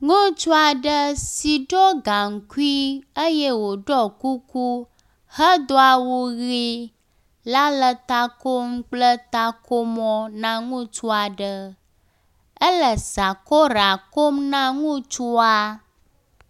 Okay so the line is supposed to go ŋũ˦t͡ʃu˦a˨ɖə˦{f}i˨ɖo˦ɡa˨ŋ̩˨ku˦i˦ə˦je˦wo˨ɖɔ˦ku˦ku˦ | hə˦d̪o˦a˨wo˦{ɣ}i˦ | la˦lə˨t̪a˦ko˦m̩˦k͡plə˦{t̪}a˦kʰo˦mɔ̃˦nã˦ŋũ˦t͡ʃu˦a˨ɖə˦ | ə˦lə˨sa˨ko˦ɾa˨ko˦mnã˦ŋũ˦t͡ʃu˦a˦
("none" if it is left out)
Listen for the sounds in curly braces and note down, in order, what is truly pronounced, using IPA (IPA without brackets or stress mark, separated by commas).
s, ɣ, t̪